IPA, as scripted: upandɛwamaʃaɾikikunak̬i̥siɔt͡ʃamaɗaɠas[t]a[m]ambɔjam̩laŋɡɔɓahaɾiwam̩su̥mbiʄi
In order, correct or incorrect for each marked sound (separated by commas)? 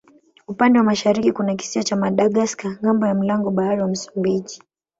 incorrect, incorrect